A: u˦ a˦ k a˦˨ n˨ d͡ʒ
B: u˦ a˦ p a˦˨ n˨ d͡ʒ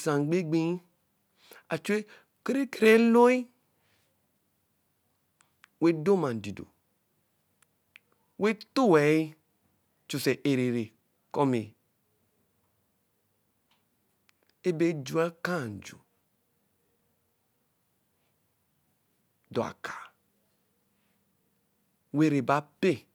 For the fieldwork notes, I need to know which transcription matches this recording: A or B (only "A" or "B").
A